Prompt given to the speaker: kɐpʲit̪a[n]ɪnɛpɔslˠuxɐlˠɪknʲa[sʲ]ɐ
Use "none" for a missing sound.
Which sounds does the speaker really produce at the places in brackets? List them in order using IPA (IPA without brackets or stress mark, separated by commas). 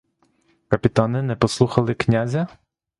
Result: n, zʲ